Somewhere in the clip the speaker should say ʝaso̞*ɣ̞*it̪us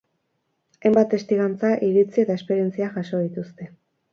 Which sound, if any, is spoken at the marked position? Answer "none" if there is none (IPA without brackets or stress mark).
ð̞